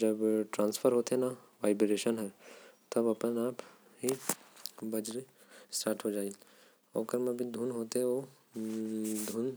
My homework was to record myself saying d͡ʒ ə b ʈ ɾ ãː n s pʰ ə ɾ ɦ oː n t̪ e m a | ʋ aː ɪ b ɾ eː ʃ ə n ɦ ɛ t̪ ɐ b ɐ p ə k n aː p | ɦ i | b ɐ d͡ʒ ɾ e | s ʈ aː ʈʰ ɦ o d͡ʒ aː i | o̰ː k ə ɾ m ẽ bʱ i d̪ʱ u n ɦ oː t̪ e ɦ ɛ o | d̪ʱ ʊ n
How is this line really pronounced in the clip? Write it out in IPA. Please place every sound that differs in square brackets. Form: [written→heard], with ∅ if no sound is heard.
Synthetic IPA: d͡ʒ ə b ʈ ɾ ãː n s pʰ ə ɾ ɦ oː [n→∅] t̪ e [m→n] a | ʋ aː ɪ b ɾ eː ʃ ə n ɦ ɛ t̪ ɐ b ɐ p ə [k→∅] n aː p | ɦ i | b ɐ d͡ʒ ɾ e | s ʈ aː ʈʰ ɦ o d͡ʒ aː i | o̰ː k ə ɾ m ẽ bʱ i d̪ʱ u n ɦ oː t̪ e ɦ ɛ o | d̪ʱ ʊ n